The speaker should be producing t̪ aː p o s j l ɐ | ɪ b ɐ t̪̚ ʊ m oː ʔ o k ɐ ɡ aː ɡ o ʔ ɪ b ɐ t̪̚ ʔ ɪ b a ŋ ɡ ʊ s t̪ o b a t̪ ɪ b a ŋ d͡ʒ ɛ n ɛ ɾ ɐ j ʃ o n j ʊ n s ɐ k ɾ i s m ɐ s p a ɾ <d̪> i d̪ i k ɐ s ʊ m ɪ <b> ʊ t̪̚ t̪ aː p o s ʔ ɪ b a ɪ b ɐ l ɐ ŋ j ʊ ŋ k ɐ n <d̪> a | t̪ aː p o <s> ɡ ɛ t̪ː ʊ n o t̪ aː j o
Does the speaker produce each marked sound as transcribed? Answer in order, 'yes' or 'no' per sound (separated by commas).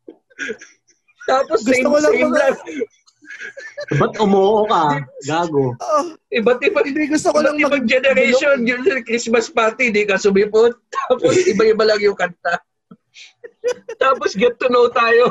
no, no, no, yes